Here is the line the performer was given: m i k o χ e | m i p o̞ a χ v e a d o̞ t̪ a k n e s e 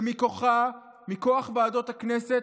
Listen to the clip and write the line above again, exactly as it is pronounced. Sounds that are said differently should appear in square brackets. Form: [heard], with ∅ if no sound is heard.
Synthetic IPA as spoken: m i k o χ [a] | m i [k] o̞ a χ v e a d o̞ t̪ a k n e s e